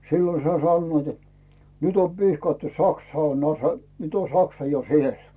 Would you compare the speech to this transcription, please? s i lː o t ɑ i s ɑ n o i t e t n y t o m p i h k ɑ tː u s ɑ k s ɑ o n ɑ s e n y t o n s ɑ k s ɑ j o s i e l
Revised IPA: s i lː o s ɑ i s ɑ nː o i t e t n y t o m p i h k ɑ tː u s ɑ k s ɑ o n ɑ s e n y t o n s ɑ k s ɑ j o s i e l